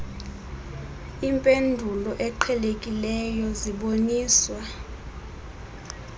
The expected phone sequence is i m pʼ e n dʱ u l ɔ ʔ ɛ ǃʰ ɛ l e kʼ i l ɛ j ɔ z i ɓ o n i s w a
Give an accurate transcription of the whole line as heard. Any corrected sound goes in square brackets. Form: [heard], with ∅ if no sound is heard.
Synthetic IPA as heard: i m pʼ e n dʱ u l ɔ ʔ ɛ ǃʰ ɛ l e kʼ i l ɛ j ɔ z i ɓ o n [iː] s w a